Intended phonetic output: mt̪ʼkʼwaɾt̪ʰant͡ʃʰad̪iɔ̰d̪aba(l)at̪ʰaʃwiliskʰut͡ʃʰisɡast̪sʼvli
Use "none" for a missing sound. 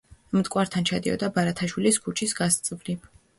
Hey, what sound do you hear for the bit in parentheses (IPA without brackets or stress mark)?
ɾ